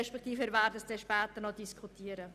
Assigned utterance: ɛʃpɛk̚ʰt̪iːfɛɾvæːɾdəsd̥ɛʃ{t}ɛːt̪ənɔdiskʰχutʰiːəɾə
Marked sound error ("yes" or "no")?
yes